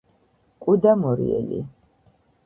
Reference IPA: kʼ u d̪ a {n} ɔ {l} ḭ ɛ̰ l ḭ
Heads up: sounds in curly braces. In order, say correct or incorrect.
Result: incorrect, incorrect

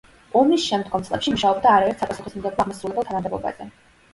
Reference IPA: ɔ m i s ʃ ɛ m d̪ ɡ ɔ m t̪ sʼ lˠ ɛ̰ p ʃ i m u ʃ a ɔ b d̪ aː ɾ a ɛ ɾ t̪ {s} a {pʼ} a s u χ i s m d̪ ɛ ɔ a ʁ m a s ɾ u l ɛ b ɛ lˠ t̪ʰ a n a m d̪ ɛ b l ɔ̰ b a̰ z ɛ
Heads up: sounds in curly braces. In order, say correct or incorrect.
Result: correct, correct

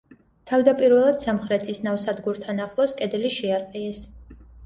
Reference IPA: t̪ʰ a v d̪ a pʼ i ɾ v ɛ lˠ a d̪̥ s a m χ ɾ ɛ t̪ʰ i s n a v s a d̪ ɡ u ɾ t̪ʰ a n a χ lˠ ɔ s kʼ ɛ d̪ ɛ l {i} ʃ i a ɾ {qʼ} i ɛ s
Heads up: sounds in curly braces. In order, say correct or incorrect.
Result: correct, correct

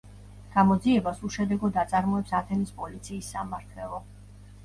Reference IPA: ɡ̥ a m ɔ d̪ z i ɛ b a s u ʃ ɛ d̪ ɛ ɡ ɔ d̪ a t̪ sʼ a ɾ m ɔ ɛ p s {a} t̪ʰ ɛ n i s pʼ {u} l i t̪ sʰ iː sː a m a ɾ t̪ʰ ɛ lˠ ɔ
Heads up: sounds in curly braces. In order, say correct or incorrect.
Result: correct, incorrect

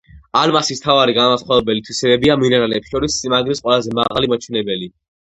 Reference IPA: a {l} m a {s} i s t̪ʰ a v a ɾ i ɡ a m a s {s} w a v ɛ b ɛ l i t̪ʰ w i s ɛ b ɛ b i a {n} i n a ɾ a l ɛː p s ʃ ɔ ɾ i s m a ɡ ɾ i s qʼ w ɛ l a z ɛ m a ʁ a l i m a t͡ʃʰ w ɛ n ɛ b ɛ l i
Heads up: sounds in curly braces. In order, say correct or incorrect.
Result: correct, correct, incorrect, incorrect

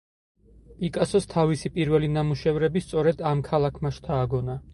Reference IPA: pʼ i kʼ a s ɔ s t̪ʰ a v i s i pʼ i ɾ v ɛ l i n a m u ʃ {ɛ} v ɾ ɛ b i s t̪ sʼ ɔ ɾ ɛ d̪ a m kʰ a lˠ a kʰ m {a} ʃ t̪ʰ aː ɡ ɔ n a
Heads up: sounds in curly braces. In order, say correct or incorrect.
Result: correct, correct

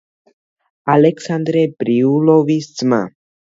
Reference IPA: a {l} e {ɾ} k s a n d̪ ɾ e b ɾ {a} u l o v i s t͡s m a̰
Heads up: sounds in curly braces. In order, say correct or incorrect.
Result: correct, incorrect, incorrect

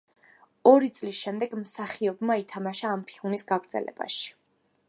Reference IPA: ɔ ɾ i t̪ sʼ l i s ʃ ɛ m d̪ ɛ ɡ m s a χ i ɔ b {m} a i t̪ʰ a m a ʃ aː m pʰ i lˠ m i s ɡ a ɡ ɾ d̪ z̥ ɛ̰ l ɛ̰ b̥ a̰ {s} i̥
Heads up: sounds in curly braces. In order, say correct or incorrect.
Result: correct, incorrect

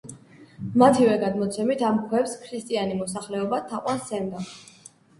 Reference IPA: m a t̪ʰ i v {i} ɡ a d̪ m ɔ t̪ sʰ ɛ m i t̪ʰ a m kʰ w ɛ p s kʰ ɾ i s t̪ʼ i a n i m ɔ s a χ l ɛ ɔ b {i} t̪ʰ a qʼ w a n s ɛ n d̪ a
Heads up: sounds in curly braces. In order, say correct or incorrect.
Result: incorrect, incorrect

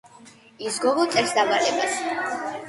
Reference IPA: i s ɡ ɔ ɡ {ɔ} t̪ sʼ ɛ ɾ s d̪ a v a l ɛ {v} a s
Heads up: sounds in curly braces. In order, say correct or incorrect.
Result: correct, incorrect

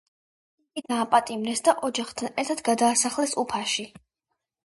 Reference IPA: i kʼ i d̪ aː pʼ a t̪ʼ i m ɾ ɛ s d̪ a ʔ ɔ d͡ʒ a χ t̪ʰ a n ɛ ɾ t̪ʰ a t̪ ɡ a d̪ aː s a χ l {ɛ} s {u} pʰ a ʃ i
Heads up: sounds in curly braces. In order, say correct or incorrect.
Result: correct, correct

